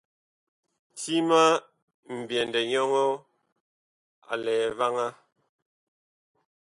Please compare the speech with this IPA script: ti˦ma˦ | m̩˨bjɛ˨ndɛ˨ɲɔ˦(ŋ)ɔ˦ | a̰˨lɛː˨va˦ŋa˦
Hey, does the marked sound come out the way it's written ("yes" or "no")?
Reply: yes